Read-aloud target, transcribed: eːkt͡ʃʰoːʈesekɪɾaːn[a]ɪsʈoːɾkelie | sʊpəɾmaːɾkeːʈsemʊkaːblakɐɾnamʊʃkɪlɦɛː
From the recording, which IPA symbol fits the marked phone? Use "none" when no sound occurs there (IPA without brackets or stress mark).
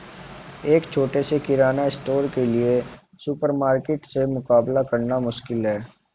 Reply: a